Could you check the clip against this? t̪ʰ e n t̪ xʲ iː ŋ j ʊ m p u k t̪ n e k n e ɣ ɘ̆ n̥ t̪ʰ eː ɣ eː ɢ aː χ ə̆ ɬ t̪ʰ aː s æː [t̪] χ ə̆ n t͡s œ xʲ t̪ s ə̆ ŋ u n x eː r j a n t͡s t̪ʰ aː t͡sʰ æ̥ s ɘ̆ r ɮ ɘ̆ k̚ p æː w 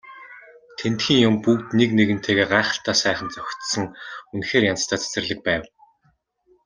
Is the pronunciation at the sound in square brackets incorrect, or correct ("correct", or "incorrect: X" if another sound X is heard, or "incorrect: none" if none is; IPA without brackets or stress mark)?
incorrect: none